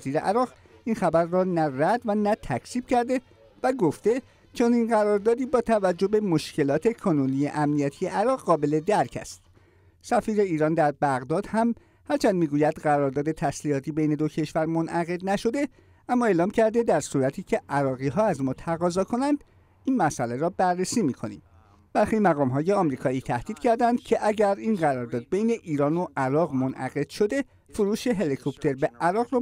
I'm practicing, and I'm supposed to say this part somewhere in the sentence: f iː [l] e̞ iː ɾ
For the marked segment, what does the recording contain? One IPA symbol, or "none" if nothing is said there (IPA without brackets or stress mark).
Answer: ɾ